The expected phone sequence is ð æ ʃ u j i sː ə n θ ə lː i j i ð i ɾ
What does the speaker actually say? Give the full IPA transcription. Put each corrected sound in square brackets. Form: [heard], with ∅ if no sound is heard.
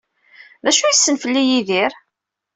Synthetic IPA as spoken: ð æ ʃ u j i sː ə n [f] ə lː i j i ð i ɾ